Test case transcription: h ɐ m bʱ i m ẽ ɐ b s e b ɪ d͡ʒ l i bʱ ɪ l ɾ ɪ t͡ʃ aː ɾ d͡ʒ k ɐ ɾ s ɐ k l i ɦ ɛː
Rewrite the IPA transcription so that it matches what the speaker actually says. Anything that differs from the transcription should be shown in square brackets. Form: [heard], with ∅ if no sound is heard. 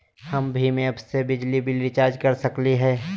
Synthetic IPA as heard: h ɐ m bʱ i m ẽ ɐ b s e b ɪ d͡ʒ l i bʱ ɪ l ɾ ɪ t͡ʃ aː ɾ d͡ʒ k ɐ ɾ s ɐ k l i ɦ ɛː